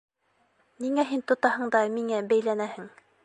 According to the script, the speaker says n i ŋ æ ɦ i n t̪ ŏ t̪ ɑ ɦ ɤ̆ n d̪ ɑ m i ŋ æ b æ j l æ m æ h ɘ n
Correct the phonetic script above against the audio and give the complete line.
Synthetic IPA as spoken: n i ŋ æ ɦ i n t̪ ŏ t̪ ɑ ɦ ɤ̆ ɴ d̪ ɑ m i ŋ æ b æ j l æ n æ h ɘ ŋ

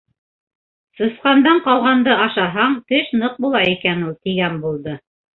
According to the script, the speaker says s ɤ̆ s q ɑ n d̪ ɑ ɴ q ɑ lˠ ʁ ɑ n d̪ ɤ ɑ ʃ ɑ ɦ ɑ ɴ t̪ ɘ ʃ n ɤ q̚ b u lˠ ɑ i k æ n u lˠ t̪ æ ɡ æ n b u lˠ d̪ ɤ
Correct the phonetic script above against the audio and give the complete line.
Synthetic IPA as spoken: s ɤ̆ s q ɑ n d̪ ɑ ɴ q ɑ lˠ ʁ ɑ n d̪ ɤ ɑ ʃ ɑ ɦ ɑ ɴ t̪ ɘ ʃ n ɤ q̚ b u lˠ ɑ i k æ n u lˠ t̪ i ɡ æ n b u lˠ d̪ ɤ

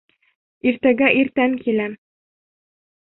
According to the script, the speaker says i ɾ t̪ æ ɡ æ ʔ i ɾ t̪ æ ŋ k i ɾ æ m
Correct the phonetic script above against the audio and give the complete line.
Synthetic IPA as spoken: i ɾ t̪ æ ɡ æ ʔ i ɾ t̪ æ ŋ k i l æ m

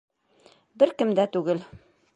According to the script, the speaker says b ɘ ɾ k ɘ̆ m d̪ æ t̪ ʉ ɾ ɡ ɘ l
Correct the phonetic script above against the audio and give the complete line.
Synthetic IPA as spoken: b ɘ ɾ k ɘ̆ m d̪ æ t̪ ʉ ɡ ɘ l

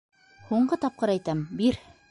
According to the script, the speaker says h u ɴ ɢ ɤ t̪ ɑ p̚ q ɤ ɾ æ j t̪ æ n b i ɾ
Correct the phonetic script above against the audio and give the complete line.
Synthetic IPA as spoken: h u ɴ ɢ ɤ t̪ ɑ p̚ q ɤ ɾ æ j t̪ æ m b i ɾ

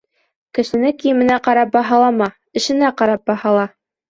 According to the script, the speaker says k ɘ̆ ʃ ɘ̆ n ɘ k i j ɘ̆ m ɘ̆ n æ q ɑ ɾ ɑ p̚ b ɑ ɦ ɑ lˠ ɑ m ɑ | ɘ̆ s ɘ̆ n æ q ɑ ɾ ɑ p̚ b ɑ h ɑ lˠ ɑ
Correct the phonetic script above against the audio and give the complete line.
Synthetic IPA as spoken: k ɘ̆ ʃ ɘ̆ n ɘ k i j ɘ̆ m ɘ̆ n æ q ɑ ɾ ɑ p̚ b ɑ ɦ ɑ lˠ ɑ m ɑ | ɘ̆ ʃ ɘ̆ n æ q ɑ ɾ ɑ p̚ b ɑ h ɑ lˠ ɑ

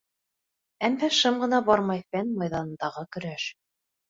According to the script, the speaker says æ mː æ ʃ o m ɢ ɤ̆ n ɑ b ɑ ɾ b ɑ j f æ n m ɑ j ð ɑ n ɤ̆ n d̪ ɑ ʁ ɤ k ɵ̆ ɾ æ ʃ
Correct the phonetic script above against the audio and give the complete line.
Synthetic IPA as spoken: æ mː æ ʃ ɤ m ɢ ɤ̆ n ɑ b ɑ ɾ m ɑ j f æ n m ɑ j ð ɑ n ɤ̆ n d̪ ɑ ʁ ɤ k ɵ̆ ɾ æ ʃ

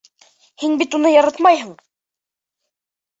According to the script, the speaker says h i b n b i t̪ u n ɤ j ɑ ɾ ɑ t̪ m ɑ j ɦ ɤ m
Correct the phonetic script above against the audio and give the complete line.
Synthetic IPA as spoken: h i n b i t̪ u n ɤ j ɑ ɾ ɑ t̪ m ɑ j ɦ ɤ ɴ

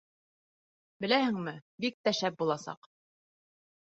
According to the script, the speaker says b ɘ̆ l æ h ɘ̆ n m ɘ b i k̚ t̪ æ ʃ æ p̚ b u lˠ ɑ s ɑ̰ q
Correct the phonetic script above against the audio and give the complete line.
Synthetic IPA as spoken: b ɘ̆ l æ h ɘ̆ ŋ m ɘ b i k̚ t̪ æ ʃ æ p̚ b u lˠ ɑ s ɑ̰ q

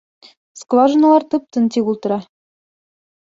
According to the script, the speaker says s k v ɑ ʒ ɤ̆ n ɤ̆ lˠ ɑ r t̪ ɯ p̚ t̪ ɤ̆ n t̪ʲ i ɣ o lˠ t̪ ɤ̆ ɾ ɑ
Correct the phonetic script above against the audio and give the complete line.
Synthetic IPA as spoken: s k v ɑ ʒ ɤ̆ n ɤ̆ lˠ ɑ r t̪ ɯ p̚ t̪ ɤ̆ n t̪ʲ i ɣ u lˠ t̪ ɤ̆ ɾ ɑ

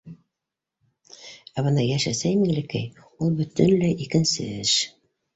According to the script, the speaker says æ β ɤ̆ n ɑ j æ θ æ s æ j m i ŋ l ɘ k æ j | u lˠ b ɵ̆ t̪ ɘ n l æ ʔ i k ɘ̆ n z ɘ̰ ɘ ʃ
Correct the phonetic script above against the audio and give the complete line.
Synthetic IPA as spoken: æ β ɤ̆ n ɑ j æ ʃ æ s æ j m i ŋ l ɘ k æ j | u lˠ b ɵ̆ t̪ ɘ n l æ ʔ i k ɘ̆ n s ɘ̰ ɘ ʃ

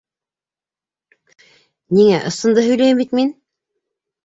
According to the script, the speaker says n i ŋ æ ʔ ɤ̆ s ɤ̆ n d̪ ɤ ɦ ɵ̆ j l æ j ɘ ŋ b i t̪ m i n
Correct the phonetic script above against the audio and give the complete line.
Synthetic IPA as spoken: n i ŋ æ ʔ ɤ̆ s ɤ̆ n d̪ ɤ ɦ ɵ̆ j l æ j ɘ m b i t̪ m i n

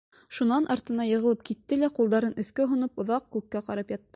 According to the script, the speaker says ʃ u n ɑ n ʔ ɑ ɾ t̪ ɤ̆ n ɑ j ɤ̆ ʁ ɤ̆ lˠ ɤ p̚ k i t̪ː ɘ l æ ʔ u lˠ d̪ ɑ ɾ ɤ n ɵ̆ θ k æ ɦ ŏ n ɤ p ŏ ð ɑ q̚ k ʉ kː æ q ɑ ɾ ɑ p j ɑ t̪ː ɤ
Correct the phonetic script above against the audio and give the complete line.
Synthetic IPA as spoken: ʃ u n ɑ n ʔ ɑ ɾ t̪ ɤ̆ n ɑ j ɤ̆ ʁ ɤ̆ lˠ ɤ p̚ k i t̪ː ɘ l æ q u lˠ d̪ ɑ ɾ ɤ n ɵ̆ θ k æ ɦ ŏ n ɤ p ŏ ð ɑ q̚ k ʉ kː æ q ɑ ɾ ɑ p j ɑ t̪ː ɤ

